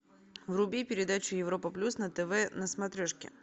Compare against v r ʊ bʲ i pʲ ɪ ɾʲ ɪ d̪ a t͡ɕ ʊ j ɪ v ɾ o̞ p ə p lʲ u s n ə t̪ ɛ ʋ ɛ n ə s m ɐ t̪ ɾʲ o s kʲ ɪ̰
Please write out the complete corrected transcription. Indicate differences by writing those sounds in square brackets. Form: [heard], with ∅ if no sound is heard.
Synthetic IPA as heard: v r ʊ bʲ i pʲ ɪ ɾʲ ɪ d̪ a t͡ɕ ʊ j ɪ v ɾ o̞ p ə p lʲ u s n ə t̪ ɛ [v] ɛ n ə s m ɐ t̪ ɾʲ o [ʂ] kʲ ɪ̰